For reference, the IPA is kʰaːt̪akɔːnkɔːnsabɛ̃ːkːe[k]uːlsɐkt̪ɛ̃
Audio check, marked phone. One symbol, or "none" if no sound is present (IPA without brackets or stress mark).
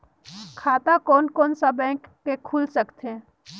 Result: kʰ